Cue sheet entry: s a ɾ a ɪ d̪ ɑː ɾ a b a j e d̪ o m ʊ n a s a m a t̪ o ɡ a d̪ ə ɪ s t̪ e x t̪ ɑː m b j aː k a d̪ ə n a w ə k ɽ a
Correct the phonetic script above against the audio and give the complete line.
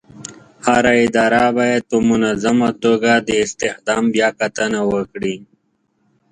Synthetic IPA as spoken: h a ɾ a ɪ d̪ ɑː ɾ a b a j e t̪ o m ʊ n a z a m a t̪ o ɡ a d̪ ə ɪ s t̪ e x d̪ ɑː m b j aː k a t̪ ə n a w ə k ɽ i